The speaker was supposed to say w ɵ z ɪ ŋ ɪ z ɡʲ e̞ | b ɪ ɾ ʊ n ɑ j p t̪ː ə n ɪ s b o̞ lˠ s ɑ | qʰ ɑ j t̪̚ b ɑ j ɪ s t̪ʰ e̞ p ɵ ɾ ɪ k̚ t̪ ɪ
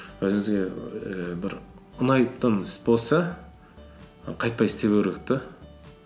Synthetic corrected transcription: w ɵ z ɪ ŋ ɪ z ɡʲ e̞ | b ɪ ɾ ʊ n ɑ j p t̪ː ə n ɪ s b o̞ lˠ s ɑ | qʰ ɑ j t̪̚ p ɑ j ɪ s t̪ e̞ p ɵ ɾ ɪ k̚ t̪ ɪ